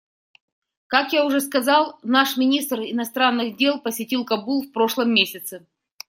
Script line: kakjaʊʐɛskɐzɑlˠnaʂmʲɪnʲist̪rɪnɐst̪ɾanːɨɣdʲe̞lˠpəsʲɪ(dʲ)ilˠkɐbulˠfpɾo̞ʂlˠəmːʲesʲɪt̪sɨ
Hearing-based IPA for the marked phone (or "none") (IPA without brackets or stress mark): tʲ